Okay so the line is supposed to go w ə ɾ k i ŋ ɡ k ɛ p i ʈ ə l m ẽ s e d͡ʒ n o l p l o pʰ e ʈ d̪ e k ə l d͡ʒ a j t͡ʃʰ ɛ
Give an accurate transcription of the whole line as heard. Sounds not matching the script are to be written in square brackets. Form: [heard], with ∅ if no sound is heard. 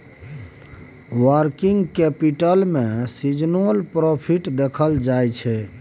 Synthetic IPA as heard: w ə ɾ k i ŋ ɡ k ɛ p i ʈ ə l m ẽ s [i] d͡ʒ n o l p [ɾ] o pʰ [i] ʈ d̪ e [kʰ] ə l d͡ʒ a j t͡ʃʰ ɛ